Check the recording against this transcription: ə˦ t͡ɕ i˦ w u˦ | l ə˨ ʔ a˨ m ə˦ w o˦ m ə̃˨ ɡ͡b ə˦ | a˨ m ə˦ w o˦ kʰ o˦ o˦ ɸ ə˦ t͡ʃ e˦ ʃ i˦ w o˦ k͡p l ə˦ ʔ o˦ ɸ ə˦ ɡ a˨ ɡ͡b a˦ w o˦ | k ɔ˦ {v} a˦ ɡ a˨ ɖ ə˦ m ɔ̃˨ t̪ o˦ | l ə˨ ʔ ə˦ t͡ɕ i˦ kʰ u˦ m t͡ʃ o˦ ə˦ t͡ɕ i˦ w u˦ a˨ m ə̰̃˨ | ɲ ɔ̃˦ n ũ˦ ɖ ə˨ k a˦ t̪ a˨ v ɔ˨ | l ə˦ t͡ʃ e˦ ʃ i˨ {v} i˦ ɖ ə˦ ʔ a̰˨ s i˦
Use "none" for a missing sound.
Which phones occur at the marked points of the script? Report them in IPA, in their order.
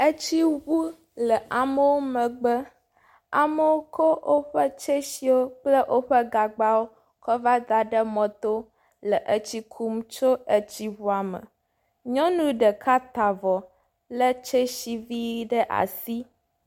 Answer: v, v

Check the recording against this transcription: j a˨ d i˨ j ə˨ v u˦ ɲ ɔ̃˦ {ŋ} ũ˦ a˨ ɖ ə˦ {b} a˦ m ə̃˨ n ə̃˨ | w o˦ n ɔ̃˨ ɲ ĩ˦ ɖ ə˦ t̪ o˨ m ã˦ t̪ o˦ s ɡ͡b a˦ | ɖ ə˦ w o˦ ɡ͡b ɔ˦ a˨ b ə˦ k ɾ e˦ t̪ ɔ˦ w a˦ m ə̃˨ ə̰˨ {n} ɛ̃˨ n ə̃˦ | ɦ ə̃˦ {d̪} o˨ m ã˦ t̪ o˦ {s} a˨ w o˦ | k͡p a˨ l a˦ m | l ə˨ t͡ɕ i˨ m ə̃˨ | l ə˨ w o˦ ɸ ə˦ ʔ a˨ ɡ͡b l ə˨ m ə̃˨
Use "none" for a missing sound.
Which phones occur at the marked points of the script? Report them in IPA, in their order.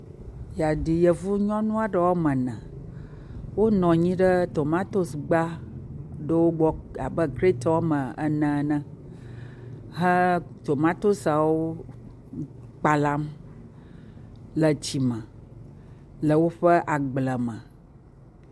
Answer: n, w, n, t̪, s

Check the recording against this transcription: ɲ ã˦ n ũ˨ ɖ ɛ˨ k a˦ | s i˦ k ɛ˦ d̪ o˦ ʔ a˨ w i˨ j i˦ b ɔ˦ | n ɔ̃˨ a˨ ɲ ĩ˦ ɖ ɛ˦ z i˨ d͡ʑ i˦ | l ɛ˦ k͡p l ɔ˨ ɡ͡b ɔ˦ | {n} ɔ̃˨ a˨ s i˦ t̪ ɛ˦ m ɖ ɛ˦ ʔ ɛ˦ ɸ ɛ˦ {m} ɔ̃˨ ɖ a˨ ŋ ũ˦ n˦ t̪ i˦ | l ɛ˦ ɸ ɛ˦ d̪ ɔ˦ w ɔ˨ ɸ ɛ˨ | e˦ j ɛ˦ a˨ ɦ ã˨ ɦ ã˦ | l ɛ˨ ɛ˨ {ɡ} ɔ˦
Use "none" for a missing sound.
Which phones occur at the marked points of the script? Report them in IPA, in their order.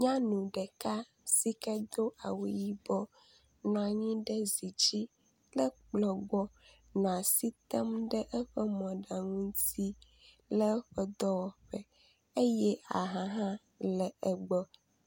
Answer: n, m, ɡ͡b

